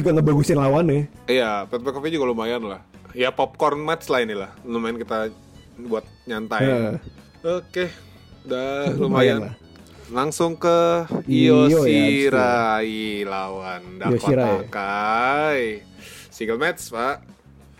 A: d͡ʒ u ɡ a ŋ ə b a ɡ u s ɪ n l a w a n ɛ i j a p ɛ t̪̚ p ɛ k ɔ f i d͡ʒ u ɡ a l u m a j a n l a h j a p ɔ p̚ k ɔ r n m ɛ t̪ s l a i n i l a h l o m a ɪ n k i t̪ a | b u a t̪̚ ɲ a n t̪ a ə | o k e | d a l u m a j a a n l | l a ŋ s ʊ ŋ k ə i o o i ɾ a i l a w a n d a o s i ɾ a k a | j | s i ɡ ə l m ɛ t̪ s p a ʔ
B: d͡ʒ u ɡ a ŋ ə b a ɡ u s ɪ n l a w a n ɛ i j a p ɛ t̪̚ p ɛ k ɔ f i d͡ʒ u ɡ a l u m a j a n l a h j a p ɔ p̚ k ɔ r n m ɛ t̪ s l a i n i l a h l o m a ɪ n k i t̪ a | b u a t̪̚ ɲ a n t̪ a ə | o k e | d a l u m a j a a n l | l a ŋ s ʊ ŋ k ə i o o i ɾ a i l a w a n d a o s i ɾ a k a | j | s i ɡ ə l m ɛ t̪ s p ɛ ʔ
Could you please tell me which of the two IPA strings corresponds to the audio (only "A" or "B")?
A